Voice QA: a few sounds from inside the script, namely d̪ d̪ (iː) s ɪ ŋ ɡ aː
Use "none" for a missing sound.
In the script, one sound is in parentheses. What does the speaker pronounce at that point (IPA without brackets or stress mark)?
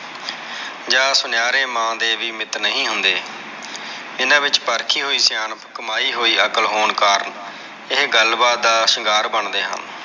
aː